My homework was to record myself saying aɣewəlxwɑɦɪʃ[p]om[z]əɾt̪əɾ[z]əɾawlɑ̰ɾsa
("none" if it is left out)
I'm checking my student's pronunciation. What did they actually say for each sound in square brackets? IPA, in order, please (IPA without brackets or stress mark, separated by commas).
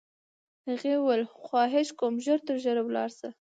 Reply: k, ʒ, ʒ